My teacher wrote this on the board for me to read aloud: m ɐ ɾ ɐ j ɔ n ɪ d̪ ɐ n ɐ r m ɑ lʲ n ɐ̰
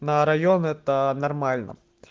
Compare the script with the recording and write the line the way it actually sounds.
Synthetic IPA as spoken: n ɐ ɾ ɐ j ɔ n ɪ t̪ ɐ n ɐ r m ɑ lʲ n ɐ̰